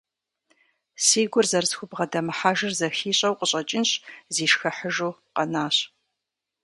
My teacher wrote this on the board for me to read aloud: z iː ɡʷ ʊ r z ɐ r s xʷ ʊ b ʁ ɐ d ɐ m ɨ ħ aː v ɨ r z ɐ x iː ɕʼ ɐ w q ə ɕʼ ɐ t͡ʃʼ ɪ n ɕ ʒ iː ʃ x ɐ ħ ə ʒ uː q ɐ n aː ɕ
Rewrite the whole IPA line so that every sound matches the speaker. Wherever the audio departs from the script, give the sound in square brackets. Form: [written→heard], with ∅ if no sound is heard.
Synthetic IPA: [z→s] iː ɡʷ ʊ r z ɐ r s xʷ ʊ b ʁ ɐ d ɐ m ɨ ħ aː [v→ʒ] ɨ r z ɐ x iː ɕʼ ɐ w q ə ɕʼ ɐ t͡ʃʼ ɪ n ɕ [ʒ→z] iː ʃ x ɐ ħ ə ʒ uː q ɐ n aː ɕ

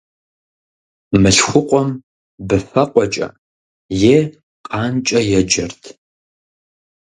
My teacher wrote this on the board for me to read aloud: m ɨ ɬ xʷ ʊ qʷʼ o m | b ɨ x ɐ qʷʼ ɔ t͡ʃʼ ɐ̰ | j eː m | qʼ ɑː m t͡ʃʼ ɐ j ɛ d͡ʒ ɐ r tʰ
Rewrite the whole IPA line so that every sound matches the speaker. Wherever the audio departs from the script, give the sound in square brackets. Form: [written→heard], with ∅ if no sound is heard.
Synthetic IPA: m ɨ ɬ xʷ ʊ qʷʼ [o→ɔ] m | b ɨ [x→f] ɐ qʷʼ ɔ t͡ʃʼ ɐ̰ | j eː [m→∅] | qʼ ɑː [m→n] t͡ʃʼ ɐ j ɛ d͡ʒ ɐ r tʰ

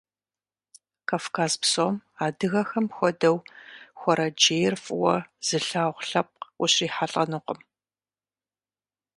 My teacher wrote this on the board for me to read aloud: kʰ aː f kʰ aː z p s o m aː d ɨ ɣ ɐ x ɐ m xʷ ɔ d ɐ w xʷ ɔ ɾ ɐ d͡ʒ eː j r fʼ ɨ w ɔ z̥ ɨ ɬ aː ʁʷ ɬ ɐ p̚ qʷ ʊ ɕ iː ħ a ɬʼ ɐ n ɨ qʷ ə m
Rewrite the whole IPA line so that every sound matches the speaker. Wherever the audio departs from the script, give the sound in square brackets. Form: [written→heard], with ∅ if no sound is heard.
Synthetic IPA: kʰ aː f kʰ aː z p s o m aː d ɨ ɣ ɐ x ɐ m xʷ ɔ d ɐ w xʷ ɔ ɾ ɐ d͡ʒ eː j r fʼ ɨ w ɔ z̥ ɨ ɬ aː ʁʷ ɬ ɐ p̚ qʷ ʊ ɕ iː ħ a ɬʼ ɐ n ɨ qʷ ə m

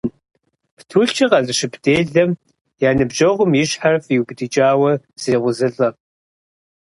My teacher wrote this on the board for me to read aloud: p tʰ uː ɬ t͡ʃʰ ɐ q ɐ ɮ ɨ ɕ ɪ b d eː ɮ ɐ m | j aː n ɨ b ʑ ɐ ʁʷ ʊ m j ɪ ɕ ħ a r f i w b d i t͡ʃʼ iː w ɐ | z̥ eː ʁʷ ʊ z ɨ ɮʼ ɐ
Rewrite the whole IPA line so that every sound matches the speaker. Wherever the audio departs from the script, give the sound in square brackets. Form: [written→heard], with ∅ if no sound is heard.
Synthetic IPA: p tʰ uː ɬ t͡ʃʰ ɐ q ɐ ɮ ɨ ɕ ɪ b d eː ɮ ɐ m | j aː n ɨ b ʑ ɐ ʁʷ ʊ m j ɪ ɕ ħ a r f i w b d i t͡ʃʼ [iː→aː] w ɐ | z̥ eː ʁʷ ʊ z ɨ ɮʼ ɐ

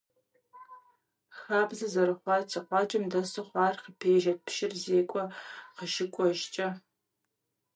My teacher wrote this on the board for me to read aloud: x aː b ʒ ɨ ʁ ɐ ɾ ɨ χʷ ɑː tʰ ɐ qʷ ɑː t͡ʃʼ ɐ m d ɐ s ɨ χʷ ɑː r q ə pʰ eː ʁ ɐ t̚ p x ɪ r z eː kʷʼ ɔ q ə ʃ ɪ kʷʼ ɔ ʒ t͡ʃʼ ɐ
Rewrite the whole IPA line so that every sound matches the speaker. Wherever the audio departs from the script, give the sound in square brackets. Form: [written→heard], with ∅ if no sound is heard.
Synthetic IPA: x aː b [ʒ→z] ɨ [ʁ→z] ɐ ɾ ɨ χʷ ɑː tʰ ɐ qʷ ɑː t͡ʃʼ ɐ m d ɐ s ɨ χʷ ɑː r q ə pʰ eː [ʁ→ʒ] ɐ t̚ p [x→ʃ] ɪ r z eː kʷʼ ɔ q ə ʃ ɪ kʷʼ ɔ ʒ t͡ʃʼ ɐ

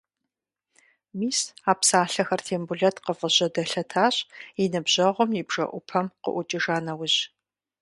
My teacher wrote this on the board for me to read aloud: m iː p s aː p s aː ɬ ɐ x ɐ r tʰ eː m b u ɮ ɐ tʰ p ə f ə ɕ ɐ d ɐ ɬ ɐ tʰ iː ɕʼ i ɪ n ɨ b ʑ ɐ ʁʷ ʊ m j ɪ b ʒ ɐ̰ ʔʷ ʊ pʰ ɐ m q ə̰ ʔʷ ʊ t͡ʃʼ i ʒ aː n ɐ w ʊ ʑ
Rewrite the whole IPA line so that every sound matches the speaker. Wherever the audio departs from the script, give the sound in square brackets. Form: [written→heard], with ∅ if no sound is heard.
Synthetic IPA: m iː [p→∅] s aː p s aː ɬ ɐ x ɐ r tʰ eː m b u ɮ ɐ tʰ [p→q] ə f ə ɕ ɐ d ɐ ɬ ɐ tʰ [iː→aː] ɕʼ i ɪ n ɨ b ʑ ɐ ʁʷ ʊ m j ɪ b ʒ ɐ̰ ʔʷ ʊ pʰ ɐ m q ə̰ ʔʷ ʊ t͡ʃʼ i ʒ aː n ɐ w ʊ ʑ

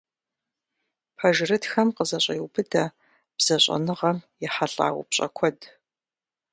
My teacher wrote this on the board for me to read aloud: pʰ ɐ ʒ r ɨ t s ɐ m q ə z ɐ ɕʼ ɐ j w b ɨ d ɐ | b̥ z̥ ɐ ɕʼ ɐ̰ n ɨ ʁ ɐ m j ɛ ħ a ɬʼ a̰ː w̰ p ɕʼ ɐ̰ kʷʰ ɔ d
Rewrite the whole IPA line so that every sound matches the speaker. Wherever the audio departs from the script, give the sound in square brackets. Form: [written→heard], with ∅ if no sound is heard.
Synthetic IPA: pʰ ɐ ʒ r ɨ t [s→x] ɐ m q ə z ɐ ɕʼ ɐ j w b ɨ d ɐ | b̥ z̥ ɐ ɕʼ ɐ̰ n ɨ ʁ ɐ m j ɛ ħ a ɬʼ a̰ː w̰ p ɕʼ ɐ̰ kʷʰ ɔ d

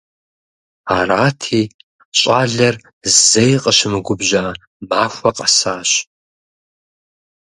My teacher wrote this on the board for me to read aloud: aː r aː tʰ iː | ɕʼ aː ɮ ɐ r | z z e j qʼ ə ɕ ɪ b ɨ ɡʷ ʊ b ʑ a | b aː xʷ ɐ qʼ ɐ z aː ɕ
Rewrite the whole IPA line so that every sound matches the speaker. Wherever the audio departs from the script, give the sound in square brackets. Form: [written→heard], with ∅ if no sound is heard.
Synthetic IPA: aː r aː tʰ iː | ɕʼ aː ɮ ɐ r | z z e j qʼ ə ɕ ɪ [b→m] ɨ ɡʷ ʊ b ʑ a | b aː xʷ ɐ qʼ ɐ [z→s] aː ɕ

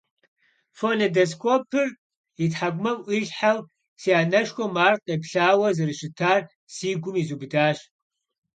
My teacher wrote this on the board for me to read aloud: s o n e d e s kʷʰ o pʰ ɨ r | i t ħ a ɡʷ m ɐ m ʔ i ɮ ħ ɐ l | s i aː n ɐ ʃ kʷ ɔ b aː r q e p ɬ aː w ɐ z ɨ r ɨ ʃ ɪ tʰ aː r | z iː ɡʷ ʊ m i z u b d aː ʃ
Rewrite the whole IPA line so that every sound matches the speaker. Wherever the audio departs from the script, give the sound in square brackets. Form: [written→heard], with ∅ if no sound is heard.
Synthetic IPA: [s→f] o n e d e s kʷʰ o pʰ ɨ r | i t ħ a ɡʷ m ɐ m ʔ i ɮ ħ [ɐ→a] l | s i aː n ɐ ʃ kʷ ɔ [b→m] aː r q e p ɬ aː w ɐ z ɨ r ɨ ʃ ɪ tʰ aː r | [z→s] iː ɡʷ ʊ m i z u b d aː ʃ

